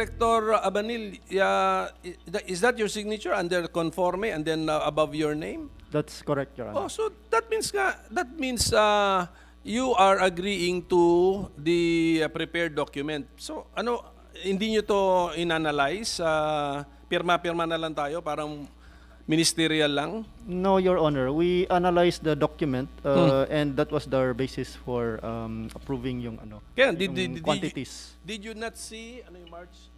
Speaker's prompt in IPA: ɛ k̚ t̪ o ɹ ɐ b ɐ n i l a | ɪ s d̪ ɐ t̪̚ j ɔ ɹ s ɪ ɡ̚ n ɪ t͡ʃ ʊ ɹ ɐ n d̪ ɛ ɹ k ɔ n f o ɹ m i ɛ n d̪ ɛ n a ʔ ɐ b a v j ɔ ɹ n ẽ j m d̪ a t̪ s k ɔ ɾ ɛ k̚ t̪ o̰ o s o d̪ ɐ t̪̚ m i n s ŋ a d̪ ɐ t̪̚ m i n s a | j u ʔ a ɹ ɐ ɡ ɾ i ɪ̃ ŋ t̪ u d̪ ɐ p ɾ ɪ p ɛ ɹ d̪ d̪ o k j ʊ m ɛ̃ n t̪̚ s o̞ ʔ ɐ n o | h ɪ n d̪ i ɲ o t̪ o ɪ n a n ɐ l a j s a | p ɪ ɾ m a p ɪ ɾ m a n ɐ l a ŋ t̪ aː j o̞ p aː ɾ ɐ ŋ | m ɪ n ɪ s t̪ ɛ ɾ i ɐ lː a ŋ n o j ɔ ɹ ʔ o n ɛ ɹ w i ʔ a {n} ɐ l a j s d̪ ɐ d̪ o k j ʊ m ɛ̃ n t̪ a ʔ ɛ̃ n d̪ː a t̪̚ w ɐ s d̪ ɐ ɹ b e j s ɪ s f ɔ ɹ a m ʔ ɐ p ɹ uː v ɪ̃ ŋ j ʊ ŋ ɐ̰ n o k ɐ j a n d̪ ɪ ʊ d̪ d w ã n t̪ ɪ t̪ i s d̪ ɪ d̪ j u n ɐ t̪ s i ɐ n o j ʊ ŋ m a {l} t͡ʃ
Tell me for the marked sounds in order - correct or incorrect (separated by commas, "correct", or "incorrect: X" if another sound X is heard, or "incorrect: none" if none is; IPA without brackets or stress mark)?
correct, incorrect: ɹ